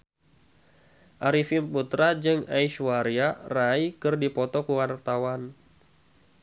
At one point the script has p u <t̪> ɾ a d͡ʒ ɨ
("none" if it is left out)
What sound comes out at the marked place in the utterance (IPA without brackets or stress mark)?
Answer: t̪